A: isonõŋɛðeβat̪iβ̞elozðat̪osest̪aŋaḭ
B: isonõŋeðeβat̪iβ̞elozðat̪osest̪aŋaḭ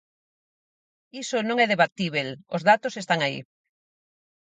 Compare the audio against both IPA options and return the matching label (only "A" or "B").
A